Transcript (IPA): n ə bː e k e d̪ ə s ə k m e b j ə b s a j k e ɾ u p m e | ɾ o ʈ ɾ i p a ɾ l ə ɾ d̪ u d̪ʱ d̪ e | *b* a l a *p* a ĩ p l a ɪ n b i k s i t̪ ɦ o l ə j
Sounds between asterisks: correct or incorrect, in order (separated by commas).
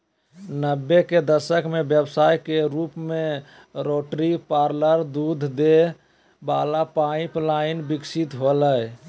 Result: correct, correct